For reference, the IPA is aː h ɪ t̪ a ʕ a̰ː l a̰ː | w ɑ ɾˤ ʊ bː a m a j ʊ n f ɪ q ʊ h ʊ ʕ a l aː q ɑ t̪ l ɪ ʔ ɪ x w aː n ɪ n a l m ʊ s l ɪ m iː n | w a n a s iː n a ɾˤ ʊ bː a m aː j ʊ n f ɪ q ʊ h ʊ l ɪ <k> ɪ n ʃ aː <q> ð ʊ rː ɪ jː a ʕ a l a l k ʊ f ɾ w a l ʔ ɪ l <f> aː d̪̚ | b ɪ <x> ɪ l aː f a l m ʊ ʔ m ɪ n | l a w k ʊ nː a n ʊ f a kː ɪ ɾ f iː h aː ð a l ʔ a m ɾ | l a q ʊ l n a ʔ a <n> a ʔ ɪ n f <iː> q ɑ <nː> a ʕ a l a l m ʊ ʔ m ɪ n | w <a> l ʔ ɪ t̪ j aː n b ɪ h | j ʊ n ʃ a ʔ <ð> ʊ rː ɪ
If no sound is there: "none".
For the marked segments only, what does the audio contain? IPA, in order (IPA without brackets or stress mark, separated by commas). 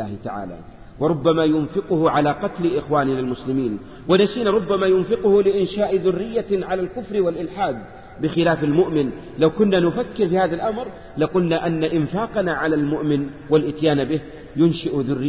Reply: ʔ, ʔ, ħ, x, nː, aː, n, a, ð